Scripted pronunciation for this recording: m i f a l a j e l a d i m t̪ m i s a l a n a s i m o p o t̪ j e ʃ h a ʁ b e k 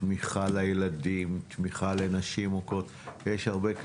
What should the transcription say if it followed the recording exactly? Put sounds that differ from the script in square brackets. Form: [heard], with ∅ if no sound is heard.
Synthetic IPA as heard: m i [χ] a l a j e l a d i m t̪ m i [χ] a l [e] n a [ʃ] i m o [k] o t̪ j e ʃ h a ʁ b e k